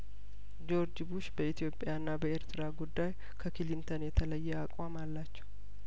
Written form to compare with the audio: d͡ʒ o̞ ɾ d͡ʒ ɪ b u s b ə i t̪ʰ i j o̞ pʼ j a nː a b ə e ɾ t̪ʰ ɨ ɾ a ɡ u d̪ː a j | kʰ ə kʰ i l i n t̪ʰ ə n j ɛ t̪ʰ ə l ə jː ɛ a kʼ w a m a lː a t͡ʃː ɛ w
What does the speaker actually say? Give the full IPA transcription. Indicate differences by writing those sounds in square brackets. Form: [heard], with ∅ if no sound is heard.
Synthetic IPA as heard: d͡ʒ o̞ ɾ d͡ʒ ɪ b u [ʃ] b ə i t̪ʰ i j o̞ pʼ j a nː a b ə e ɾ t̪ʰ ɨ ɾ a ɡ u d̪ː a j | kʰ ə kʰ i l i n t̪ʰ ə n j ɛ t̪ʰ ə l ə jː ɛ a kʼ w a m a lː a t͡ʃː ɛ w